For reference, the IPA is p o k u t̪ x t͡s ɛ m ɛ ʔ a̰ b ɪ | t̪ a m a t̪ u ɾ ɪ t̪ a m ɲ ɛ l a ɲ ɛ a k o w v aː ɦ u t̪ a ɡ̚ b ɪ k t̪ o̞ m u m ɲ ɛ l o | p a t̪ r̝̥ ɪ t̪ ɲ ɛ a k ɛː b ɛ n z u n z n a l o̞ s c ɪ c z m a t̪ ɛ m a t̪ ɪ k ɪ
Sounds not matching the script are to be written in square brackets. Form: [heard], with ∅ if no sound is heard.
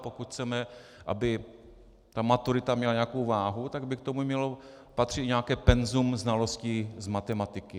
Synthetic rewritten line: p o k u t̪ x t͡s ɛ m ɛ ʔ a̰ b ɪ | t̪ a m a t̪ u ɾ ɪ t̪ a m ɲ ɛ l a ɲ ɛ a k o w v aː ɦ u t̪ a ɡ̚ b ɪ k t̪ o̞ m u m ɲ ɛ l o | p a t̪ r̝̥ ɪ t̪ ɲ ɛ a k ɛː [p] ɛ n z u [m] z n a l o̞ s c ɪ [∅] z m a t̪ ɛ m a t̪ ɪ k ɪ